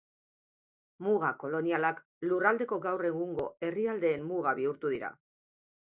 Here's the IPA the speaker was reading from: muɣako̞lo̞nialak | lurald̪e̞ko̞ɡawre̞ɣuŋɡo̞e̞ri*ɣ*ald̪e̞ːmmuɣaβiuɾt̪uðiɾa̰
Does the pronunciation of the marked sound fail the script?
yes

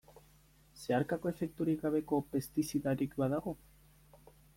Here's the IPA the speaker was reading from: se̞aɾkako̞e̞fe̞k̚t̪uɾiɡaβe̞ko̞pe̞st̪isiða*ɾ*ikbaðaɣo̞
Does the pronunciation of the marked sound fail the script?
no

